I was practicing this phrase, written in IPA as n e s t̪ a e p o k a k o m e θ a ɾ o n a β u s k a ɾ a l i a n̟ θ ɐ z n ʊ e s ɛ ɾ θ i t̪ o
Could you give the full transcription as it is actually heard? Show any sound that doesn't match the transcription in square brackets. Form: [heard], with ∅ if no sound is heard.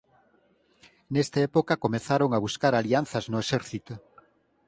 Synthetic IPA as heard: n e s t̪ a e p o k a k o m e θ a ɾ o [ŋ] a β u s k a ɾ a l i a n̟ θ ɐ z n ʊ e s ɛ ɾ θ i t̪ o